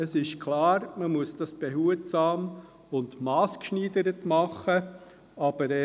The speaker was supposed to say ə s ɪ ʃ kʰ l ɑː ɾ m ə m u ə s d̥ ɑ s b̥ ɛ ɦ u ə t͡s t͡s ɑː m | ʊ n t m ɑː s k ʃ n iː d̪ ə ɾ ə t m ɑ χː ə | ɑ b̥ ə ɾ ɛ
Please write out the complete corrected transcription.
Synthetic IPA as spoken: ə s ɪ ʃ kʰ l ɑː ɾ m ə m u ə s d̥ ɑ s b̥ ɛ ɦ u ə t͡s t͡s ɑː m | ʊ n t m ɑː s k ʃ n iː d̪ ə ɾ ə t m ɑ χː ə | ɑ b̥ ə ɾ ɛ